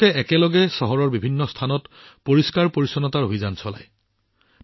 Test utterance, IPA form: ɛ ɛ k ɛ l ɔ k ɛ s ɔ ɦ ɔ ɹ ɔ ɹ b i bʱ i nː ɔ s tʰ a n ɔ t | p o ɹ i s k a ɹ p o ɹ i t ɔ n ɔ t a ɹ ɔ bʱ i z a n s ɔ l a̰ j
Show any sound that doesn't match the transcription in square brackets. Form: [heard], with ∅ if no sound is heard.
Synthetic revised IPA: ɛ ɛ k ɛ l ɔ [ɡ] ɛ s ɔ ɦ ɔ ɹ ɔ ɹ b i bʱ i nː ɔ s tʰ a n ɔ t | p o ɹ i s k a ɹ p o ɹ i [s] ɔ n ɔ t a ɹ [o] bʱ i z a n s ɔ l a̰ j